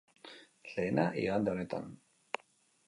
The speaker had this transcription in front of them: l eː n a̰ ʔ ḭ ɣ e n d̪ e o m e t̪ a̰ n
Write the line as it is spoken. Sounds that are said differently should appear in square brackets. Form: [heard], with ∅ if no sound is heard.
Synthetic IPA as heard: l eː n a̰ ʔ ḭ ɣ [a] n d̪ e o [n] e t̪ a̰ n